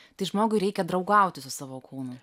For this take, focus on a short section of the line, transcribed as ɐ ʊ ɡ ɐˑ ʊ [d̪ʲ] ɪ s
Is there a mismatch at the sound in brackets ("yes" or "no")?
yes